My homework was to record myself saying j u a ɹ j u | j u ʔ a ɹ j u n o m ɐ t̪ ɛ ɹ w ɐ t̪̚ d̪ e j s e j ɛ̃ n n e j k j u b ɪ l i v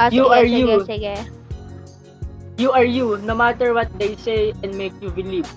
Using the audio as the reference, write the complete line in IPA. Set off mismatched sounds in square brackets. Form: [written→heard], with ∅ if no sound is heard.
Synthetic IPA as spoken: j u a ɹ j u | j u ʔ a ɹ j u n o m [ɐ→a] t̪ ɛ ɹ w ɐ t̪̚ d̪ e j s e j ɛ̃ n [n→m] e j k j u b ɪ l i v